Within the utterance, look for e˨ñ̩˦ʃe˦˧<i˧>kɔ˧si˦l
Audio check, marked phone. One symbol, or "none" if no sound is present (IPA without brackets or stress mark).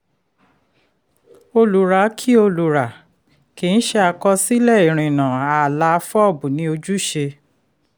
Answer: a˧